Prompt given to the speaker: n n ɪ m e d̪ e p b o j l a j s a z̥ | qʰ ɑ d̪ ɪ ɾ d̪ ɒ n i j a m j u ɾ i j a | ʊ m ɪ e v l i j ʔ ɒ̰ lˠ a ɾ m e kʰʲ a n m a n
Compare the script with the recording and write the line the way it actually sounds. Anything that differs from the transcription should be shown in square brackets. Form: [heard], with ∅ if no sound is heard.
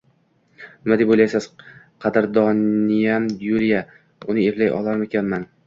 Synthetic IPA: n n ɪ m [a] d̪ e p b o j l a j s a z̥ | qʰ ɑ d̪ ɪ ɾ d̪ ɒ n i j a m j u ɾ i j a | ʊ [n] ɪ e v l [a] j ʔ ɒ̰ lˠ a ɾ m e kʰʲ a n m a n